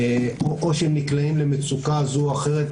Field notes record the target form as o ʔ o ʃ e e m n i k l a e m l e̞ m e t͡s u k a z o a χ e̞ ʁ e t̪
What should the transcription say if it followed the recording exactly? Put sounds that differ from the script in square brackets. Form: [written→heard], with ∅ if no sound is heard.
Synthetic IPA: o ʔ o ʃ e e m n i k l a [e→i] m l e̞ m e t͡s u k a z [o→u] a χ e̞ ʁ e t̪